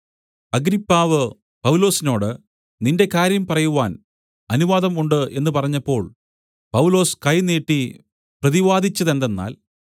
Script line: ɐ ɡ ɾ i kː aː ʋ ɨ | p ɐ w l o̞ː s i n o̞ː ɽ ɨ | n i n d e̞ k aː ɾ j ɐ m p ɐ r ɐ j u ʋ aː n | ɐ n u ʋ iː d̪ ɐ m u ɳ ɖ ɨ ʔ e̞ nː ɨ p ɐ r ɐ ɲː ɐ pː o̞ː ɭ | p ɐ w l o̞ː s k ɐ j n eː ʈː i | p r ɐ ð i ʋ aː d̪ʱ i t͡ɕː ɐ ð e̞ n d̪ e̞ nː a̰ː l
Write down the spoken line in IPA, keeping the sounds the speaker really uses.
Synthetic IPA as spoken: ɐ ɡ ɾ i pː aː ʋ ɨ | p ɐ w l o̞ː s i n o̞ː ɽ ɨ | n i n d e̞ k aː ɾ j ɐ m p ɐ r ɐ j u ʋ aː n | ɐ n u ʋ aː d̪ ɐ m u ɳ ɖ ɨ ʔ e̞ nː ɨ p ɐ r ɐ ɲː ɐ pː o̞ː ɭ | p ɐ w l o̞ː s k ɐ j n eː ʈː i | p r ɐ ð i ʋ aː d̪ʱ i t͡ɕː ɐ ð e̞ n d̪ e̞ nː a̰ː l